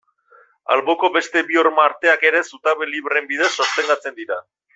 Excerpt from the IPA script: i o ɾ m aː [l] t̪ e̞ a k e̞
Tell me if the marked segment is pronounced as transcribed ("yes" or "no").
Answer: no